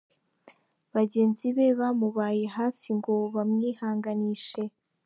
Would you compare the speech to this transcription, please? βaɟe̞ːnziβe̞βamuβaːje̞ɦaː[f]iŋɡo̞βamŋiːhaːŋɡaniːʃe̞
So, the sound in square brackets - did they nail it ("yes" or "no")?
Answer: yes